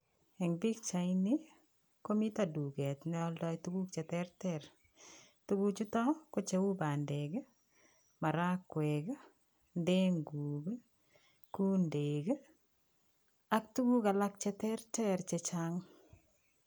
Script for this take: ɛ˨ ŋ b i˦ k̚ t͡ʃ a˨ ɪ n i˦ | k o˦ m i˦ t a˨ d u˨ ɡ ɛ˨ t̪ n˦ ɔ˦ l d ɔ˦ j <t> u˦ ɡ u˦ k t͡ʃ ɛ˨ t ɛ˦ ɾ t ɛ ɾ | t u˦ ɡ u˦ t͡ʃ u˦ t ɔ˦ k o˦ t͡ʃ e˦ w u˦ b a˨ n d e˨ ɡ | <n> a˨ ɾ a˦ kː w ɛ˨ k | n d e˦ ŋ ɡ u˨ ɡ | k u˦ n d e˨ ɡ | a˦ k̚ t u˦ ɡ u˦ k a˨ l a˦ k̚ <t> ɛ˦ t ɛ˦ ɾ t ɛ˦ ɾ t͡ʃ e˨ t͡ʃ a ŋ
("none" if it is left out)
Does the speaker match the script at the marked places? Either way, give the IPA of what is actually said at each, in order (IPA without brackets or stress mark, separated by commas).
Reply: t, m, t͡ʃ